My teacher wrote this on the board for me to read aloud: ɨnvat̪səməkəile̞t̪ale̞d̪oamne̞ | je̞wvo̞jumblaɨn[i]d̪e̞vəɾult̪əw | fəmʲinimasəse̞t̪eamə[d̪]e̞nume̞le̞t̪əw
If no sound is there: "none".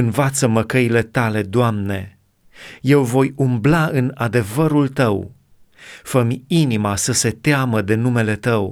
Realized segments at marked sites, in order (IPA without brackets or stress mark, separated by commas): a, d̪